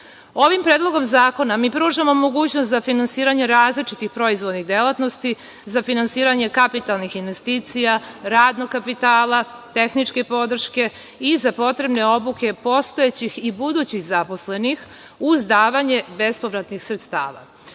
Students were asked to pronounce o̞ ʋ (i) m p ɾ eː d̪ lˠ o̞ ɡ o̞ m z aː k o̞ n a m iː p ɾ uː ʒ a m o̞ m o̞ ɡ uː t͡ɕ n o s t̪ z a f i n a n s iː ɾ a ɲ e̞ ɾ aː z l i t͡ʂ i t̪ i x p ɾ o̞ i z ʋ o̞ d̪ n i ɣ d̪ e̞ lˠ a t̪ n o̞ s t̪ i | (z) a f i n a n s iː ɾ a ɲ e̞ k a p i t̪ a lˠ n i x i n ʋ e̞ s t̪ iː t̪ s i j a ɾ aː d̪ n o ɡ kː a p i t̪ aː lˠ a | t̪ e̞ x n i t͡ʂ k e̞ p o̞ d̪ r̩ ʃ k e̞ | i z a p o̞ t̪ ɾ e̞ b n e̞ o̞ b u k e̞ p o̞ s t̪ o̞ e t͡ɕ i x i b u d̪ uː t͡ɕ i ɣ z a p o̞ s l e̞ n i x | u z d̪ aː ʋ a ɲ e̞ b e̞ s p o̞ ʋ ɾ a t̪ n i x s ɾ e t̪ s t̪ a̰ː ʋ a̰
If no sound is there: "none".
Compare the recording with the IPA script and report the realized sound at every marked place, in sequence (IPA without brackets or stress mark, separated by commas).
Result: i, z